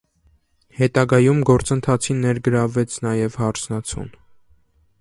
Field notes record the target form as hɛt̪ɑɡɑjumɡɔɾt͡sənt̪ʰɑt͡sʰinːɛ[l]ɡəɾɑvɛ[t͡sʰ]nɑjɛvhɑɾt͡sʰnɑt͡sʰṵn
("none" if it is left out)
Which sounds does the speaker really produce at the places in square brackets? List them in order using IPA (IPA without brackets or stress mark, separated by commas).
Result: ɾ, t͡sʰ